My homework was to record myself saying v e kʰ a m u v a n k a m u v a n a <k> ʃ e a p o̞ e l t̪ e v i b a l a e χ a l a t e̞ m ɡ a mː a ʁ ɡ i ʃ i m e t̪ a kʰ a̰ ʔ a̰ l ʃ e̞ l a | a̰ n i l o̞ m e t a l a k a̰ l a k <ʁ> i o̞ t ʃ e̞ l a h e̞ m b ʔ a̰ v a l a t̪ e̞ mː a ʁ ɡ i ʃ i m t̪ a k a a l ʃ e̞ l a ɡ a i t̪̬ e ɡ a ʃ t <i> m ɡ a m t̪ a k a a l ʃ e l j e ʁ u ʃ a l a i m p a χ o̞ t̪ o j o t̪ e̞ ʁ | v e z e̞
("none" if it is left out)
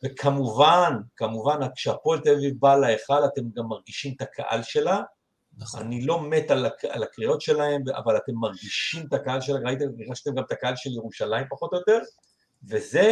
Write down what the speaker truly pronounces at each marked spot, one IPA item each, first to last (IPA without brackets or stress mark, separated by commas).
k, ʁ, e